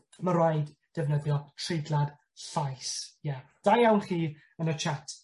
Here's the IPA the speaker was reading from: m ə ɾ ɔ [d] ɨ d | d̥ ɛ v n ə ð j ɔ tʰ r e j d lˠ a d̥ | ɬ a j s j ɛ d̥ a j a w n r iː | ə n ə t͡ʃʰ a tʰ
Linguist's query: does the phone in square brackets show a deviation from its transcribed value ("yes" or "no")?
yes